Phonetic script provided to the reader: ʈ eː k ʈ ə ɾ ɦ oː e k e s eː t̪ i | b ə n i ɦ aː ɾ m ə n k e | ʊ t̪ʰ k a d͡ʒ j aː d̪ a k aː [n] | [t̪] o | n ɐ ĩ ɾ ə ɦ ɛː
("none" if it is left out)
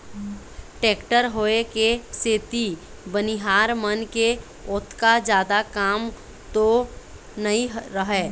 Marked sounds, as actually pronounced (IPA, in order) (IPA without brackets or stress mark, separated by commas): m, t̪